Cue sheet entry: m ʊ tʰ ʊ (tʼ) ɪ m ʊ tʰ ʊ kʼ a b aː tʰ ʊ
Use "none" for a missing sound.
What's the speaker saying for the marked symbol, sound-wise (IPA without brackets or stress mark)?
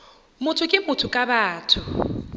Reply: kʼ